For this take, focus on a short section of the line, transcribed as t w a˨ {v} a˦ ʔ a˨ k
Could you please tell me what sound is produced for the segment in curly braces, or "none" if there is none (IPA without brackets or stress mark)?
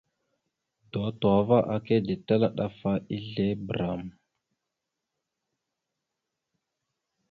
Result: v